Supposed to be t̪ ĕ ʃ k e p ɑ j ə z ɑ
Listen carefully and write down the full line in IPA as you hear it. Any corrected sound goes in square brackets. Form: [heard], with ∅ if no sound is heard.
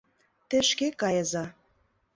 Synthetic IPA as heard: t̪ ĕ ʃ k e [k] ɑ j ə z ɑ